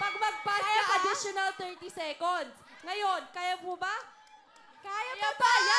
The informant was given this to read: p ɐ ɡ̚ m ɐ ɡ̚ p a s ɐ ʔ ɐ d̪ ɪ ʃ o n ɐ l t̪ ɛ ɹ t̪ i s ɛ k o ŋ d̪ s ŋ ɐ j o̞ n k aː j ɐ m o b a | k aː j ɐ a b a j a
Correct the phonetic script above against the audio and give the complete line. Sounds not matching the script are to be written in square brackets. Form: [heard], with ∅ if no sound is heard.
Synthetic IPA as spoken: p ɐ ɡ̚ m ɐ ɡ̚ p a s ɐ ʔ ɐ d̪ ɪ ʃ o n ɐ l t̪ ɛ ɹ t̪ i s ɛ k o [n] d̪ s ŋ ɐ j o̞ n k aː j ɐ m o b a | k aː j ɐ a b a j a